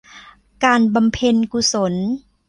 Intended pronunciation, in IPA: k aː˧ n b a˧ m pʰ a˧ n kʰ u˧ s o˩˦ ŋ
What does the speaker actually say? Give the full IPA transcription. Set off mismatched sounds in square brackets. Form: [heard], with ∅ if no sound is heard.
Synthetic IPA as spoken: k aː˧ n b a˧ m pʰ [e˧] n [k] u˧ s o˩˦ [n]